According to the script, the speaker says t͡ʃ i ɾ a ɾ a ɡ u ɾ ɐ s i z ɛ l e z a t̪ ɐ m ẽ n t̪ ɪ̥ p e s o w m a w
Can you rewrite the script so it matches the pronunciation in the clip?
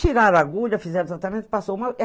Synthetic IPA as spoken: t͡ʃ i ɾ a ɾ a ɡ u ʎ ɐ f i z ɛ ɾ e z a t̪ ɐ m ẽ n t̪ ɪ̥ p a s o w m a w

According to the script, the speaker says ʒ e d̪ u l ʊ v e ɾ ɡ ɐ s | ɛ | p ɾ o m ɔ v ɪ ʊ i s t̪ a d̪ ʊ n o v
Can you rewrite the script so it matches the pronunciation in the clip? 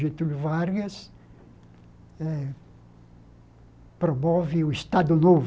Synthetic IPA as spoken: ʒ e t̪ u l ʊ v a ɾ ɡ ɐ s | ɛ | p ɾ o m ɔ v ɪ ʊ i s t̪ a d̪ ʊ n o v

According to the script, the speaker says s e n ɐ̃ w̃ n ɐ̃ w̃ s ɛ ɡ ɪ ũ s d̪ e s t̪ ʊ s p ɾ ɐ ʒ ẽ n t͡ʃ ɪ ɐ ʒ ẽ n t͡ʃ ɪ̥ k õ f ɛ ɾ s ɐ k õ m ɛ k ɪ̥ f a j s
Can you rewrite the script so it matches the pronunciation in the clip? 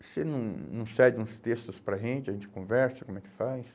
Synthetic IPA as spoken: s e n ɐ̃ w̃ n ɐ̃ w̃ s ɛ ɡ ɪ ũ s t̪ e s t̪ ʊ s p ɾ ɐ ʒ ẽ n t͡ʃ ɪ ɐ ʒ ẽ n t͡ʃ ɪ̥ k õ v ɛ ɾ s ɐ k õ m ɛ k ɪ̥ f a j s

